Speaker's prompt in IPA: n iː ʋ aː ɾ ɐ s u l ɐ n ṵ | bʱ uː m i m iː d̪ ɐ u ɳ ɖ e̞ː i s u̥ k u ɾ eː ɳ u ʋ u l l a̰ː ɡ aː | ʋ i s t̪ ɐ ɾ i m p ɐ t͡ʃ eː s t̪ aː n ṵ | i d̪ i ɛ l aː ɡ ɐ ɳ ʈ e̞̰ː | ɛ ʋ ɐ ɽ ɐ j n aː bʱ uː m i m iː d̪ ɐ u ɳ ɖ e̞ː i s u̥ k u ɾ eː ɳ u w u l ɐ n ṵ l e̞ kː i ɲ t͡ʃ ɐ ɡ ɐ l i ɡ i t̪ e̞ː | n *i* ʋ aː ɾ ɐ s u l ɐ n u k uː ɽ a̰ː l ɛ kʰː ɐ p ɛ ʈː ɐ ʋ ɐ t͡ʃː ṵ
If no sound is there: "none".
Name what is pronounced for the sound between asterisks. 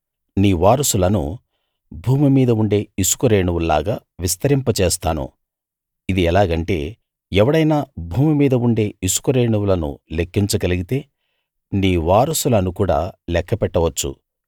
iː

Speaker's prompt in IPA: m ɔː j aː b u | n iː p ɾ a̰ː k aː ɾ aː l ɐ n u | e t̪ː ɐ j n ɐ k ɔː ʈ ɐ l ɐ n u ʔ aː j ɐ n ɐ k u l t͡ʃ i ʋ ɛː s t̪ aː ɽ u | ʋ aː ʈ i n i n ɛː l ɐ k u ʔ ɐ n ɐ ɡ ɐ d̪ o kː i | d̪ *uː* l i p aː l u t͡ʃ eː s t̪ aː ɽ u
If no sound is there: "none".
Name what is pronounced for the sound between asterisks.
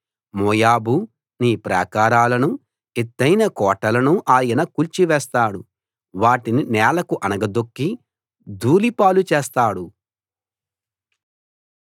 uː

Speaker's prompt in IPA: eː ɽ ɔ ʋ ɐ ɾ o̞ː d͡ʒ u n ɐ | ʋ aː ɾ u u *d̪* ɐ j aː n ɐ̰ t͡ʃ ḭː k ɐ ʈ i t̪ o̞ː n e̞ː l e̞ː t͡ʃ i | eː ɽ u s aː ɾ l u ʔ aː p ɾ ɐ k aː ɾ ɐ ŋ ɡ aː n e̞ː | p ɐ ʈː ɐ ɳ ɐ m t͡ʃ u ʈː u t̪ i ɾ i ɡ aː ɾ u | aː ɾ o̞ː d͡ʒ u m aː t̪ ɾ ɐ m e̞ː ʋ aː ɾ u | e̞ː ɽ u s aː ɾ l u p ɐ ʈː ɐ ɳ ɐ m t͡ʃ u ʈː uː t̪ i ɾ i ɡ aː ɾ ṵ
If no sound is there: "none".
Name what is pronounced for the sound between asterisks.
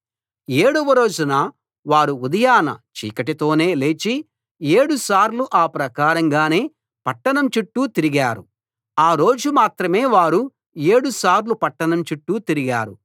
d̪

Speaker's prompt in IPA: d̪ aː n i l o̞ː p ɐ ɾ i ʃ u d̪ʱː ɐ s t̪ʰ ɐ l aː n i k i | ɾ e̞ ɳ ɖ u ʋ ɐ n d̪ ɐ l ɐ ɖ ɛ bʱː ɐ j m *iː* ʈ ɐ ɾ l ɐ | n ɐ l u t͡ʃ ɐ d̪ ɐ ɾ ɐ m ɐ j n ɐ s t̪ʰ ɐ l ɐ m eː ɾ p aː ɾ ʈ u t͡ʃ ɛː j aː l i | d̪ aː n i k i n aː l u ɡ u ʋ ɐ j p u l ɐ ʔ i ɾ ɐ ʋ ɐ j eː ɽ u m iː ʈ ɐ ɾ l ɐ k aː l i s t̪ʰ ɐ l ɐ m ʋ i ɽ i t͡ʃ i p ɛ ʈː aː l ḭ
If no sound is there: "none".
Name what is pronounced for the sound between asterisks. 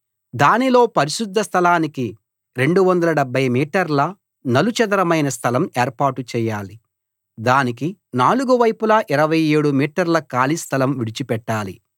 iː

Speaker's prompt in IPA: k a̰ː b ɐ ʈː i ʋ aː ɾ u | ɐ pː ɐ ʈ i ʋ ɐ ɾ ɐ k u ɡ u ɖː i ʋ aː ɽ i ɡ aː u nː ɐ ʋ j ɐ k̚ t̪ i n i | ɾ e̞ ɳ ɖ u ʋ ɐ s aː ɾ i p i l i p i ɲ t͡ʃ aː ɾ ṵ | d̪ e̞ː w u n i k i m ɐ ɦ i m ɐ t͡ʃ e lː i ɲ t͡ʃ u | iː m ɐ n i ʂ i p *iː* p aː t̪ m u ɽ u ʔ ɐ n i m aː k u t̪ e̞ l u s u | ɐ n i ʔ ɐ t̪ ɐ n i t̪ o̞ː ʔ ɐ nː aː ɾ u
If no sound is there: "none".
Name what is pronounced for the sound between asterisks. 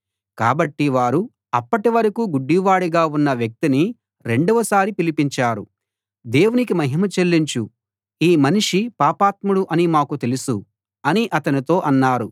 aː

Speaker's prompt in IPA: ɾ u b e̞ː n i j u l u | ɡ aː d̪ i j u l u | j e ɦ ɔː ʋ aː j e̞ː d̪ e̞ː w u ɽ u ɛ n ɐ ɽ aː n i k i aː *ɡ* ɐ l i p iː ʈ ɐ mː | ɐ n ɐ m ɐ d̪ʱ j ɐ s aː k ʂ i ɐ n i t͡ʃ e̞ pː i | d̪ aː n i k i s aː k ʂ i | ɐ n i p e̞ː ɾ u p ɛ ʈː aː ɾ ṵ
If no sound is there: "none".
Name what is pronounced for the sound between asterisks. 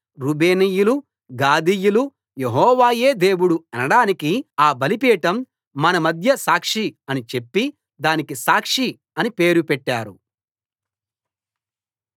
b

